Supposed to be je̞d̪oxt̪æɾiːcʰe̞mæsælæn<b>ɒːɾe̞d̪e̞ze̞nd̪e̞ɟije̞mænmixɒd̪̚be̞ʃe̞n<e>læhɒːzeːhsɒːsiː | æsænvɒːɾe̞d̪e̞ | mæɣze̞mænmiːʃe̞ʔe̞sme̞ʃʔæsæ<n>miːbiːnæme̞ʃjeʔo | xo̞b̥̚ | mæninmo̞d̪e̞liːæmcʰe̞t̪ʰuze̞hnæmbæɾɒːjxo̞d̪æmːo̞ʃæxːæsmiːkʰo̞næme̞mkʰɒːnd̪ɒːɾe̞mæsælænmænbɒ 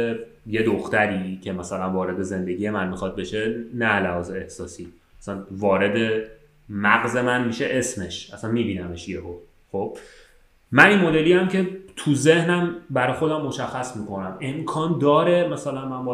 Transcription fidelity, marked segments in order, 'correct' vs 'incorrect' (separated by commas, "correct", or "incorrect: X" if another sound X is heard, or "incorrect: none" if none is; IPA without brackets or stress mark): incorrect: v, incorrect: æ, correct